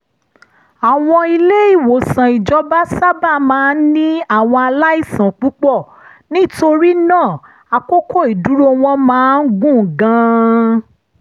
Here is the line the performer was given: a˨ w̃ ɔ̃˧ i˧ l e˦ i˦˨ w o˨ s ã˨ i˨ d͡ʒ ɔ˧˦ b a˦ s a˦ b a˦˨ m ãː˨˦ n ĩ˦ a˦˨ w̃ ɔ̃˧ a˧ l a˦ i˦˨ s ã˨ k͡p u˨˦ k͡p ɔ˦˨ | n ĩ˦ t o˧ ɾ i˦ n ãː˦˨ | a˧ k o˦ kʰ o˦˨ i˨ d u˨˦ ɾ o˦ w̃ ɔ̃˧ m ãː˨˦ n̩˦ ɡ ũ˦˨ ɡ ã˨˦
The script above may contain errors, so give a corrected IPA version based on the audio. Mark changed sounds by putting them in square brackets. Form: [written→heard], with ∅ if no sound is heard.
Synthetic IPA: a˨ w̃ ɔ̃˧ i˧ l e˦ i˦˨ w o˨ s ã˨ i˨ d͡ʒ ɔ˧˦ b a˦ s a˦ b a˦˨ m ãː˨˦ n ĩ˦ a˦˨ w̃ ɔ̃˧ a˧ l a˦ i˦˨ s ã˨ k͡p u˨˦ k͡p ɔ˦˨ | n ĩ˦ t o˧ ɾ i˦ n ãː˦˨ | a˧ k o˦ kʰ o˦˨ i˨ d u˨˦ ɾ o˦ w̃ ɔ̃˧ m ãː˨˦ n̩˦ ɡ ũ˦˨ ɡ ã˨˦

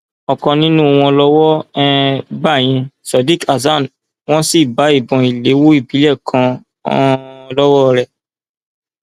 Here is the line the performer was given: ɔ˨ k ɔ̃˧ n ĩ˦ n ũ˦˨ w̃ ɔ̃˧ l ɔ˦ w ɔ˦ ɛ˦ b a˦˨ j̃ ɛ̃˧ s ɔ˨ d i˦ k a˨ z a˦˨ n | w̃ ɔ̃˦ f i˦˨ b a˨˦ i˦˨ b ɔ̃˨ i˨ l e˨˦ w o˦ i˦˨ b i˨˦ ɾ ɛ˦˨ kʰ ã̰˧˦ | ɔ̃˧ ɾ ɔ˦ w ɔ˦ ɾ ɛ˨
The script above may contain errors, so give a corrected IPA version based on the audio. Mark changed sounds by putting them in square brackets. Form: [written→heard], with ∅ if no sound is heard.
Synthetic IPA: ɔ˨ k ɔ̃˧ n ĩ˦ n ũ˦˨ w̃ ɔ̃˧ l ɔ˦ w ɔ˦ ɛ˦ b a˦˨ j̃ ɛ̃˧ s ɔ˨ d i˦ k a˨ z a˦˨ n | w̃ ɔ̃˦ [f→s] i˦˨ b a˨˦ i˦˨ b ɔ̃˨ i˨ l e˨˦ w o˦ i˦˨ b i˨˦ [ɾ→l] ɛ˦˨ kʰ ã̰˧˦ | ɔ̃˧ [ɾ→l] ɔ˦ w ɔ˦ ɾ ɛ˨

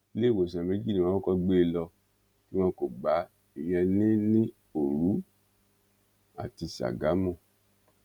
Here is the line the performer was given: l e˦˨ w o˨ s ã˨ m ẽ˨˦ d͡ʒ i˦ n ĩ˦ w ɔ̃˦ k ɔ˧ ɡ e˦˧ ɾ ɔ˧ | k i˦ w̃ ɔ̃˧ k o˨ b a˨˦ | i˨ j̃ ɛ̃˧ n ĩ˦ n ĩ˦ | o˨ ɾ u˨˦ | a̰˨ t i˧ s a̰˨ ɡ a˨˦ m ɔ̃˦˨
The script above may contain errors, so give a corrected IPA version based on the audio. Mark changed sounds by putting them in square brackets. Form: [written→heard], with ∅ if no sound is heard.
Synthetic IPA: l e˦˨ w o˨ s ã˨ m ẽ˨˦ d͡ʒ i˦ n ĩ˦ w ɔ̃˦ k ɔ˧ [ɡ→ɡ͡b] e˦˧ [ɾ→l] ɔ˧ | k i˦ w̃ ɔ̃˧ k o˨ [b→ɡ͡b] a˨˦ | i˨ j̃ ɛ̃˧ n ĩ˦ n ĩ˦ | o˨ ɾ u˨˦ | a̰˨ t i˧ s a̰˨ ɡ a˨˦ m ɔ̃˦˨

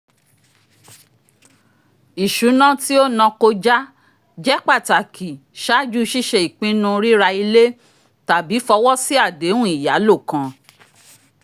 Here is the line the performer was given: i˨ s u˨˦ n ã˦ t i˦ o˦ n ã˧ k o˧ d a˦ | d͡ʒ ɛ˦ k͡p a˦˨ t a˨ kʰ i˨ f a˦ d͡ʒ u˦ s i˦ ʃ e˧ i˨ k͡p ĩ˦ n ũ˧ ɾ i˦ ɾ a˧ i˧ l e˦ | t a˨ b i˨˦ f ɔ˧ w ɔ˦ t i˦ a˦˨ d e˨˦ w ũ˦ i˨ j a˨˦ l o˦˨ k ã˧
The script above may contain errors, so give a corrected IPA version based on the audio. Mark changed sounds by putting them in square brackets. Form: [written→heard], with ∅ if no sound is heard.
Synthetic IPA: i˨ [s→ʃ] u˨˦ n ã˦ t i˦ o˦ n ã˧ k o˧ [d→d͡ʒ] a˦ | d͡ʒ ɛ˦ k͡p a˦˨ t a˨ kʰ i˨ [f→ʃ] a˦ d͡ʒ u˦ [s→ʃ] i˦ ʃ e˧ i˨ k͡p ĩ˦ n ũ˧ ɾ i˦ ɾ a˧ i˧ l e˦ | t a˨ b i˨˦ f ɔ˧ w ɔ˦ [t→s] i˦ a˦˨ d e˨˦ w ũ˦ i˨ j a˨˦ l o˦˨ k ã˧

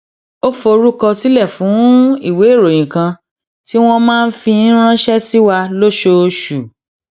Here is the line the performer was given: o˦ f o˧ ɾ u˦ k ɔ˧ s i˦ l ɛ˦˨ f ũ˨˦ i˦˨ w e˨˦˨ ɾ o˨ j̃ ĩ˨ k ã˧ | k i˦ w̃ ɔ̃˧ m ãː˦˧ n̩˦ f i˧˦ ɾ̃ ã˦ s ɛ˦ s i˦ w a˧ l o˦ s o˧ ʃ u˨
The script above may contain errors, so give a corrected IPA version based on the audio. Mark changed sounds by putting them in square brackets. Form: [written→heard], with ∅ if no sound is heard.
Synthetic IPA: o˦ f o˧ ɾ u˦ k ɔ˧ s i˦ l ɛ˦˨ f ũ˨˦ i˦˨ w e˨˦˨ ɾ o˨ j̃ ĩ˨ k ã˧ | [k→t] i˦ w̃ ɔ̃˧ m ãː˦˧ n̩˦ f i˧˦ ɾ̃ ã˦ [s→ʃ] ɛ˦ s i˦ w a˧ l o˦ [s→ʃ] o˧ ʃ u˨

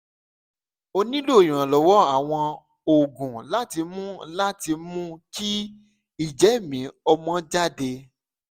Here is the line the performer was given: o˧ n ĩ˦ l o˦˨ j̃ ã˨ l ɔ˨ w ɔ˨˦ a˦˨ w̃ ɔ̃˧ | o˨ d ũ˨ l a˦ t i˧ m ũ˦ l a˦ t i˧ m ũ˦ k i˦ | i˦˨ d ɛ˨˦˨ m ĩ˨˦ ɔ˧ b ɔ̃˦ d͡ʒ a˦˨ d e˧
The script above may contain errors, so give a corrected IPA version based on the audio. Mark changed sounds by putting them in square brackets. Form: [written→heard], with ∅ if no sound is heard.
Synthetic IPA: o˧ n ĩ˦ l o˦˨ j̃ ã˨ l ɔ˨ w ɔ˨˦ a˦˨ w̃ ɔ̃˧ | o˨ [d→ɡ] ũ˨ l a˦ t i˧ m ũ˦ l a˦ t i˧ m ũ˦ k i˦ | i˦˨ [d→d͡ʒ] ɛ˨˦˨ m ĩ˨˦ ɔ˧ [b→m] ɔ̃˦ d͡ʒ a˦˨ d e˧

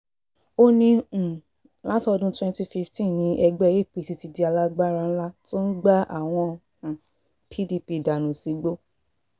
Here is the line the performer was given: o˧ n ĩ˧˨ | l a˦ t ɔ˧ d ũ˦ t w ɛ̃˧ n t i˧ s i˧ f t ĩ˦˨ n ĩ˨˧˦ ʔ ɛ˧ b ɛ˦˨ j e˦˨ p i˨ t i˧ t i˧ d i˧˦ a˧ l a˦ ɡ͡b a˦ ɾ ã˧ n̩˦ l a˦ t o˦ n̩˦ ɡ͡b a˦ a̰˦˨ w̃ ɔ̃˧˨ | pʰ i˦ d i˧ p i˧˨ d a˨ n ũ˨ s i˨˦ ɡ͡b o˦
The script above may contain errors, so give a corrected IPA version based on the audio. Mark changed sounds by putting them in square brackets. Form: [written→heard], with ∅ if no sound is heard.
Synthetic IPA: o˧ n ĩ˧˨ | l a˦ t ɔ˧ d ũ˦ t w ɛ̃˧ n t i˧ [s→f] i˧ f t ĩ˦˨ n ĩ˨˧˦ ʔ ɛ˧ [b→ɡ͡b] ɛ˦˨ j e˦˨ p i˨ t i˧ t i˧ d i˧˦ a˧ l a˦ ɡ͡b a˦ ɾ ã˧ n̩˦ l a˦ t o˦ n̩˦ ɡ͡b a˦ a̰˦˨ w̃ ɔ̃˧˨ | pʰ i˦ d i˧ p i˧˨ d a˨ n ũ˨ s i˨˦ ɡ͡b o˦

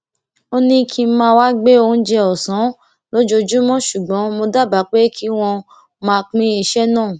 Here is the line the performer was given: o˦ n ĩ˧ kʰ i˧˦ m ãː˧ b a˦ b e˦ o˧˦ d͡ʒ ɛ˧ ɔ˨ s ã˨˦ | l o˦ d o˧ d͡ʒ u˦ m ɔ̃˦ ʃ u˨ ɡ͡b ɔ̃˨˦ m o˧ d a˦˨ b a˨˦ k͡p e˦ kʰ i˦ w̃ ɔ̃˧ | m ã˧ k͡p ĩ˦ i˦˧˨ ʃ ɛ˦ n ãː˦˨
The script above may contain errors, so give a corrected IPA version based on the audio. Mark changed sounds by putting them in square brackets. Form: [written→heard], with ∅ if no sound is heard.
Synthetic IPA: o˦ n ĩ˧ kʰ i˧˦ m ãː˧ [b→w] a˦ [b→ɡ͡b] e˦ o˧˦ d͡ʒ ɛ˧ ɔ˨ s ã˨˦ | l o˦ [d→d͡ʒ] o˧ d͡ʒ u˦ m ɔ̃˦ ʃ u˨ ɡ͡b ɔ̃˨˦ m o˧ d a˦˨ b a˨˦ k͡p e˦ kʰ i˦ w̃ ɔ̃˧ | m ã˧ k͡p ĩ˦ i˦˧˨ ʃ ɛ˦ n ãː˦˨

